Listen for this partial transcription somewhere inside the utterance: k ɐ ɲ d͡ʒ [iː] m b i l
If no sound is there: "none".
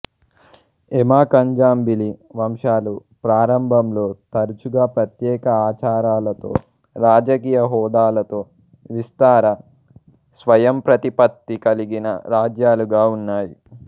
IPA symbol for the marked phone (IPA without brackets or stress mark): aː